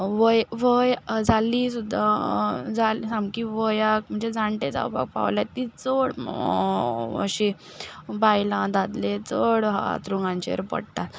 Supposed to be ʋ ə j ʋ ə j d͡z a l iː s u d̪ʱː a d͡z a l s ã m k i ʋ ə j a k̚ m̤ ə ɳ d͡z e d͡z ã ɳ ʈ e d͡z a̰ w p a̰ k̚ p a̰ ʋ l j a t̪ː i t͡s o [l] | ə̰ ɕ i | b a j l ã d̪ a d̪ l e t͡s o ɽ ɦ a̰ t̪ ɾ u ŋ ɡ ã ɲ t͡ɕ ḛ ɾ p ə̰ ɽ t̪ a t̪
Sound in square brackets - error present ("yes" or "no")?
yes